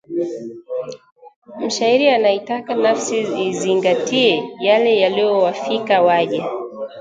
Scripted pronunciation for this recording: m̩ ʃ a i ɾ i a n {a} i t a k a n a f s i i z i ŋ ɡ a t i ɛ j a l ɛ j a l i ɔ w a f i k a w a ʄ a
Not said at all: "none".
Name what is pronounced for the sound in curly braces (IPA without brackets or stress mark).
a